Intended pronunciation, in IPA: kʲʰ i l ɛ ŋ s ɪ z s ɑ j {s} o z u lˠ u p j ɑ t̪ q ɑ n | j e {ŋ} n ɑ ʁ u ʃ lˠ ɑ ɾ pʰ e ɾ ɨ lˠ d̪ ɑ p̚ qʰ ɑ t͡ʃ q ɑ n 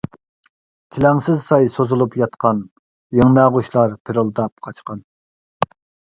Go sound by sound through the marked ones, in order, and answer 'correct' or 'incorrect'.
correct, correct

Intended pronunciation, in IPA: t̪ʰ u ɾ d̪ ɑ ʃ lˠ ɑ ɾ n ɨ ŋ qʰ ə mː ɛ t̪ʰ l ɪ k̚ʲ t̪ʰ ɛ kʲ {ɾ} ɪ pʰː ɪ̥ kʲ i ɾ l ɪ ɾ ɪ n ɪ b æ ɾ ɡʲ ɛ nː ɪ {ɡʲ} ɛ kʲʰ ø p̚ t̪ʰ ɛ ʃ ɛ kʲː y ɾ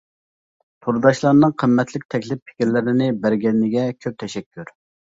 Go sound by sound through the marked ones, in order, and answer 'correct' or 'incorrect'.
incorrect: l, correct

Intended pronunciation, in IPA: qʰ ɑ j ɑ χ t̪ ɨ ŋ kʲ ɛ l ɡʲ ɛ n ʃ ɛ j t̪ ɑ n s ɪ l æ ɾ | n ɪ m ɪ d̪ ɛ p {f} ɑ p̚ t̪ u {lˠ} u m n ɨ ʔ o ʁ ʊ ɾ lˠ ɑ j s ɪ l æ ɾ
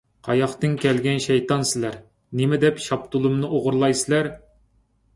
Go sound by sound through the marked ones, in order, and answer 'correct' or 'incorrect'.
incorrect: ʃ, correct

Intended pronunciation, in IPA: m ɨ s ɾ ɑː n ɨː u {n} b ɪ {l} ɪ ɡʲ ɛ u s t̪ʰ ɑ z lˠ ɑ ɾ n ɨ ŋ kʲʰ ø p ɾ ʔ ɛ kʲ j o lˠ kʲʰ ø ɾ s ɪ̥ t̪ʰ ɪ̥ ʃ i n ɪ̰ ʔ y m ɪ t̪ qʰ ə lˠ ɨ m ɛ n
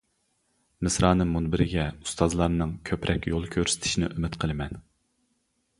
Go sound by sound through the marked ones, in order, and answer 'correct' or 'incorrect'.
correct, incorrect: ɾ

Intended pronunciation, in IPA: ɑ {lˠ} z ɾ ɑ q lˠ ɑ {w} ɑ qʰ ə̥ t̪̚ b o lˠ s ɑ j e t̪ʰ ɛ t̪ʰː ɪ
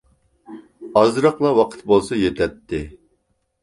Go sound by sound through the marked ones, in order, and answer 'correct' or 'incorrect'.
incorrect: none, correct

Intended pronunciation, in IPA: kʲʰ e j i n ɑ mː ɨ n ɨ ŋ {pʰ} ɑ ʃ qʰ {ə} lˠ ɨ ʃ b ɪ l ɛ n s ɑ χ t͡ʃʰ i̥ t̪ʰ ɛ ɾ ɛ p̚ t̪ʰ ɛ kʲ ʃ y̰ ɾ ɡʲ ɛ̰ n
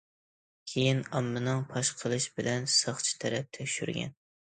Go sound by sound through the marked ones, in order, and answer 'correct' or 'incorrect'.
correct, correct

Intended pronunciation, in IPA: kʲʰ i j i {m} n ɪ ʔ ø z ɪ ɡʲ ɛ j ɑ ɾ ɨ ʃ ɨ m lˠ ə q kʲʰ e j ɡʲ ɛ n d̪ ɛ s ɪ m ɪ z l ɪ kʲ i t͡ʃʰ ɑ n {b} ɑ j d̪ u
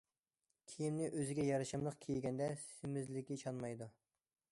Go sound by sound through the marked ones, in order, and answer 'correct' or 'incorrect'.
correct, incorrect: m

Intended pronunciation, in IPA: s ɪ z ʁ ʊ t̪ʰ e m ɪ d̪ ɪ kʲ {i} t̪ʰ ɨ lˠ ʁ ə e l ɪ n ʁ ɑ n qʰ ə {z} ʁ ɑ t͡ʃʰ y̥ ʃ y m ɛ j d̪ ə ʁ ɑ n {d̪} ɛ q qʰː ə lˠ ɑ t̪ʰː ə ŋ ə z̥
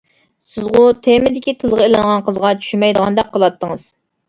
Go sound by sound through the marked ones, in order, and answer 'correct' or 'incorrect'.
correct, correct, correct

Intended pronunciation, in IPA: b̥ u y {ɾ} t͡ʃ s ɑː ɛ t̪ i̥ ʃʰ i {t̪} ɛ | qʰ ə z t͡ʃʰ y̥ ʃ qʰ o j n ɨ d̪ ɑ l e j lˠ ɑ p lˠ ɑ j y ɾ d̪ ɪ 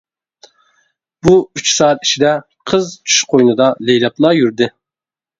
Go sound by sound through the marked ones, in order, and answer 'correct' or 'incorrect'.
incorrect: none, incorrect: d̪

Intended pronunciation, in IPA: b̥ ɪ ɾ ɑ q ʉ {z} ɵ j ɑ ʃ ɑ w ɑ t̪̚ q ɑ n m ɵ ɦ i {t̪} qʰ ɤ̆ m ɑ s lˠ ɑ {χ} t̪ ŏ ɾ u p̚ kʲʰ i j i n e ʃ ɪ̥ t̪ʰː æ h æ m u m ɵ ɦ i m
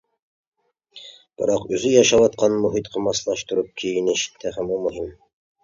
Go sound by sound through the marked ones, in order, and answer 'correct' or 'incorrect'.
correct, correct, incorrect: ʃ

